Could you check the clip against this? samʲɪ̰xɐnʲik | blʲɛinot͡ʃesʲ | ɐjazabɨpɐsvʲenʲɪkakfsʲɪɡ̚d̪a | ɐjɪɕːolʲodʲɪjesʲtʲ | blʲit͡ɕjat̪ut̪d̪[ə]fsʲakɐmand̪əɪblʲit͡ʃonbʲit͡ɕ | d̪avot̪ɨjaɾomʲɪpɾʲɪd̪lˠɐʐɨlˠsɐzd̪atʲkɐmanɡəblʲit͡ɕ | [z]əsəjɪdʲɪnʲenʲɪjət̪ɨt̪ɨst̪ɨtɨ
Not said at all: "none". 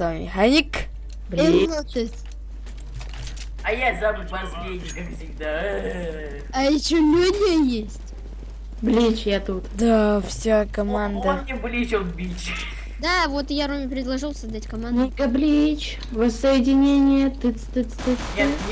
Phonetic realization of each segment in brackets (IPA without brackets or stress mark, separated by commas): a, v